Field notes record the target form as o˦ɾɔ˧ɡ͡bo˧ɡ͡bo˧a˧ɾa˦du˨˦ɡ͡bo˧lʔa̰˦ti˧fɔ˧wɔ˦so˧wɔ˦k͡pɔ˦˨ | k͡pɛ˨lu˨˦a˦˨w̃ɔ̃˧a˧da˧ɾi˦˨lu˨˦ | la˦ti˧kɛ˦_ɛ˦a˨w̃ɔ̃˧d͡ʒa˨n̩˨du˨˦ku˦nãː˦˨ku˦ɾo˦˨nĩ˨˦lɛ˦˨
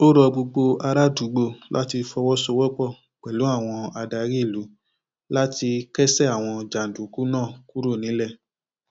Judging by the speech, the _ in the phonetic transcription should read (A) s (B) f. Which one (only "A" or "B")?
A